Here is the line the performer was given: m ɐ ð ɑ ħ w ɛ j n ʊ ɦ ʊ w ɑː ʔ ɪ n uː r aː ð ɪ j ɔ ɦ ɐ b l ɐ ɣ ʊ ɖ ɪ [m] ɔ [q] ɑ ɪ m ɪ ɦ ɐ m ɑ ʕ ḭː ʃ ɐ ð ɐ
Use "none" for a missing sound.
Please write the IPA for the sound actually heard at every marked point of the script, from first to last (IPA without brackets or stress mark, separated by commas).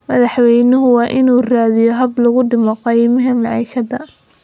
m, q